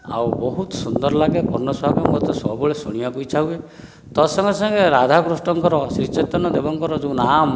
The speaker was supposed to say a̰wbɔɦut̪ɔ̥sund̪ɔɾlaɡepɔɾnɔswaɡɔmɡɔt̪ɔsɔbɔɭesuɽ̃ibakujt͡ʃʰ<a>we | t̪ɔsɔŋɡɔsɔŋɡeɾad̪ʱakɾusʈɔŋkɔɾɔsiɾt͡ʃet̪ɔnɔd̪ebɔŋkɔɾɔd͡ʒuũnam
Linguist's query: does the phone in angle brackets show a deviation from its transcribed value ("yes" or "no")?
no